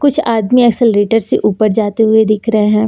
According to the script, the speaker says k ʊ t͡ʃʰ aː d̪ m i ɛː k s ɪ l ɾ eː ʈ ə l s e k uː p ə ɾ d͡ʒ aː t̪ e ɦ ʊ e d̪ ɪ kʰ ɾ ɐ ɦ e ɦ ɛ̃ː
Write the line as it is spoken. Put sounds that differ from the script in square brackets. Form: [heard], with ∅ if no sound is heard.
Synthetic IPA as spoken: k ʊ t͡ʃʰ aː d̪ m i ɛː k s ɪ l ɾ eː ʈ ə [ɾ] s e [ʔ] uː p ə ɾ d͡ʒ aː t̪ e ɦ ʊ e d̪ ɪ kʰ ɾ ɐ ɦ e ɦ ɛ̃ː